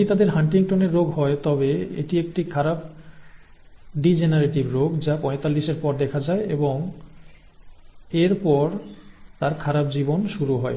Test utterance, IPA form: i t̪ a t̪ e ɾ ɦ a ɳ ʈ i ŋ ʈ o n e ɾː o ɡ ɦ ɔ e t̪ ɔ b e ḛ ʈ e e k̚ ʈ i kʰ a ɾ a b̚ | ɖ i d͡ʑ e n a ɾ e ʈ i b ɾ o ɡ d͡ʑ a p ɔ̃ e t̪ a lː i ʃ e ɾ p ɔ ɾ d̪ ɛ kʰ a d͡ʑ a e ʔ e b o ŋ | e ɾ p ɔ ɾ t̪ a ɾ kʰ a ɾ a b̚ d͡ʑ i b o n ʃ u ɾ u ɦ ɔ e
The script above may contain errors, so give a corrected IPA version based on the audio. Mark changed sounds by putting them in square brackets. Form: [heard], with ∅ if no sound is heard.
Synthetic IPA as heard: i t̪ a [d̪] e ɾ ɦ a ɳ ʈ i ŋ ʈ o n e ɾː o ɡ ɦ ɔ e t̪ ɔ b e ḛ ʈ [i] e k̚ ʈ i kʰ a ɾ a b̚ | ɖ i d͡ʑ e n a ɾ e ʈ i b ɾ o ɡ d͡ʑ a p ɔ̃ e t̪ a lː i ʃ e ɾ p ɔ ɾ d̪ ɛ kʰ a d͡ʑ a e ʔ e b o ŋ | e ɾ p ɔ ɾ t̪ a ɾ kʰ a ɾ a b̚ d͡ʑ i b o n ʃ u ɾ u ɦ ɔ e